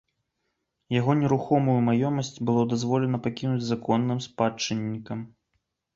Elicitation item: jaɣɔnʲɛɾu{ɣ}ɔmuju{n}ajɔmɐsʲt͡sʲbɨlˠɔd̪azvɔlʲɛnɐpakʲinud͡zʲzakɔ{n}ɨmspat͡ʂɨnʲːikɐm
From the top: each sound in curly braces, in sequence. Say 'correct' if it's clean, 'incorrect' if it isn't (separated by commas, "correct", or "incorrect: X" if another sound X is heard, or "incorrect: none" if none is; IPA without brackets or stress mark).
incorrect: x, incorrect: m, incorrect: nː